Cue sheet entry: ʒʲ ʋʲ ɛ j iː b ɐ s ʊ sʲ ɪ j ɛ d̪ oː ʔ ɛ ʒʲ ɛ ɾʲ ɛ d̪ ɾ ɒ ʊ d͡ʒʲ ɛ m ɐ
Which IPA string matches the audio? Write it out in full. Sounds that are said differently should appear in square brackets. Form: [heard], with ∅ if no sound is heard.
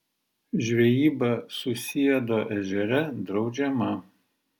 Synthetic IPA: ʒʲ ʋʲ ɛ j iː b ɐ s ʊ sʲ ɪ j ɛ d̪ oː ʔ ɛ ʒʲ ɛ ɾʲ ɛ d̪ ɾ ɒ ʊ d͡ʒʲ ɛ m ɐ